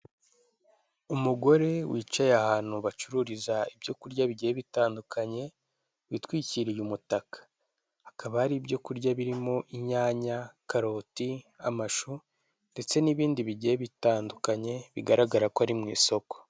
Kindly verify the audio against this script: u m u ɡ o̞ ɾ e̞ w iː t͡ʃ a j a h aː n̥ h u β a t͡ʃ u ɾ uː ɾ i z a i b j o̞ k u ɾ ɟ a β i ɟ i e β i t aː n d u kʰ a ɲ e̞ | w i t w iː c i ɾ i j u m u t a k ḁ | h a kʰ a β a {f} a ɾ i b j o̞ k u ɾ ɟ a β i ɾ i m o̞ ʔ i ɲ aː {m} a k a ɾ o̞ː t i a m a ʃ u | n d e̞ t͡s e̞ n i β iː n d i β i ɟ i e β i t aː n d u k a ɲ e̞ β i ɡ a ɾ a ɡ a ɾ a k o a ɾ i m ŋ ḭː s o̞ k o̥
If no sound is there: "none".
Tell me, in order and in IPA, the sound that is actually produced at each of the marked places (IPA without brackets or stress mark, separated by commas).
h, ɲ